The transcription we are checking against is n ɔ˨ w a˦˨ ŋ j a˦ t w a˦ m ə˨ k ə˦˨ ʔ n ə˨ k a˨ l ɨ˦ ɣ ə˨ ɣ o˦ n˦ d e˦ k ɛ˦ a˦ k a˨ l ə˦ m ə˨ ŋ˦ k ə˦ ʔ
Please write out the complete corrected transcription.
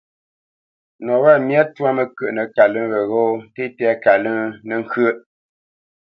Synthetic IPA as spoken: n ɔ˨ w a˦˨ m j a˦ t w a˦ m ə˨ k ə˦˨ ʔ n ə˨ k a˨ l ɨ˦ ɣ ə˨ ɣ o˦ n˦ t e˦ t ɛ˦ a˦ k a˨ l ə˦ n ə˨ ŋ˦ k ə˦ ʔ